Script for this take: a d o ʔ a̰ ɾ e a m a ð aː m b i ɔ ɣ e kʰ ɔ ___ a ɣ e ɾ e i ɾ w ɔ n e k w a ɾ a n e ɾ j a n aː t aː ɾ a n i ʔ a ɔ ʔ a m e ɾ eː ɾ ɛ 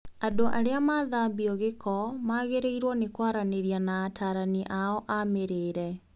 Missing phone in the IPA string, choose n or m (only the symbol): m